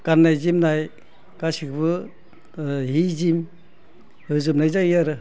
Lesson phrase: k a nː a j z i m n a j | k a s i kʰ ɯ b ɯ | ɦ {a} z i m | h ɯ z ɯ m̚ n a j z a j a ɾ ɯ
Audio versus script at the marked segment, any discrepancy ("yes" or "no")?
yes